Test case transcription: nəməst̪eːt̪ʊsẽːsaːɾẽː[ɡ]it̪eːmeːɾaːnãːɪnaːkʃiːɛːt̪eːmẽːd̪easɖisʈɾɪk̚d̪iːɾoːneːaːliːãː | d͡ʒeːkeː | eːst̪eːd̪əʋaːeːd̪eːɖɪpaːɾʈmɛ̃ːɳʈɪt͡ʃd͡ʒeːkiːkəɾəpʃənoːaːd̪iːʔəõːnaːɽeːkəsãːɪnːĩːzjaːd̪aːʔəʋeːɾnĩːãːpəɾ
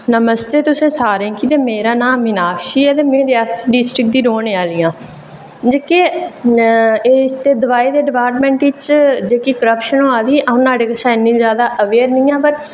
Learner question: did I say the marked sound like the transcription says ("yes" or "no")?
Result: no